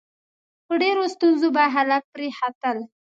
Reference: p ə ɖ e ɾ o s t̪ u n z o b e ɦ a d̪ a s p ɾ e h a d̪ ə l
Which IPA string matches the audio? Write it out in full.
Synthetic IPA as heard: p ə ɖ e ɾ o s t̪ u n z o b a ɦ a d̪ a f p ɾ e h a t̪ ə l